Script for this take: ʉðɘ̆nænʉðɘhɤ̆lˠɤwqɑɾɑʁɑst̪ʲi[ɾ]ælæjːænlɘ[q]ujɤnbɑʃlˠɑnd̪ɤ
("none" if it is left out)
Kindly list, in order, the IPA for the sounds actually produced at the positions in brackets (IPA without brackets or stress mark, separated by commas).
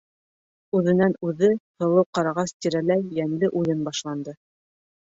ɾ, ʔ